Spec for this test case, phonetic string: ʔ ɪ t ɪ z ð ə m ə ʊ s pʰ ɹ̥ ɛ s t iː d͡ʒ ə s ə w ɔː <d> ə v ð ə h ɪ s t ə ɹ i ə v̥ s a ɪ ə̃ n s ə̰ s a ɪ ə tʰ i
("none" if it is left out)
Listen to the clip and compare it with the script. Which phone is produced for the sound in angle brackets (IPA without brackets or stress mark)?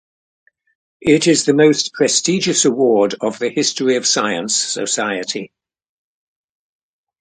d